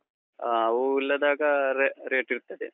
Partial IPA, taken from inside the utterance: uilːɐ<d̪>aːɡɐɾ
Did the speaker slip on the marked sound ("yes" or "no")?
no